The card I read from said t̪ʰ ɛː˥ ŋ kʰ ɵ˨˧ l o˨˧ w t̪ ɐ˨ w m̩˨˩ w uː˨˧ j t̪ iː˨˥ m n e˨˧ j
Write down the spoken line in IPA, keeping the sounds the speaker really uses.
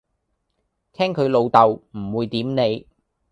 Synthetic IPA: t̪ʰ ɛː˥ ŋ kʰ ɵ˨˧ l o˨˧ w t̪ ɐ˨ w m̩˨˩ w uː˨˧ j t̪ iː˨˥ m n e˨˧ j